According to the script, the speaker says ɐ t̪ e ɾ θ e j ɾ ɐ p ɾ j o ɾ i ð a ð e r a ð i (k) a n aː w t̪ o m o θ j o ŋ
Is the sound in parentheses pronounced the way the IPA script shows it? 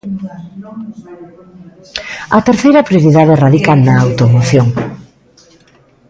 yes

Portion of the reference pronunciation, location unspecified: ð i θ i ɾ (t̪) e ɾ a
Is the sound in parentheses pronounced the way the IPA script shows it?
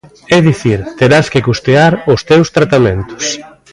yes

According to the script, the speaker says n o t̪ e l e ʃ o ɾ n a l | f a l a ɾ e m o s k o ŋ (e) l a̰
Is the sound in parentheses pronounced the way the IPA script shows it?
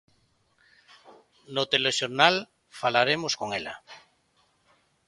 yes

